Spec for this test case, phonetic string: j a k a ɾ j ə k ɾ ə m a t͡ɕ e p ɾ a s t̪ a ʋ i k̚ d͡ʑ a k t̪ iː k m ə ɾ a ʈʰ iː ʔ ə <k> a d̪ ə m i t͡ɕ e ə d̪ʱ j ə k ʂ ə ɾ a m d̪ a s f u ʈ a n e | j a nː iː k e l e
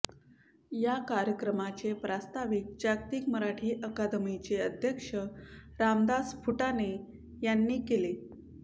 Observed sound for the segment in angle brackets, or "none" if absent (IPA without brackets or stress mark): k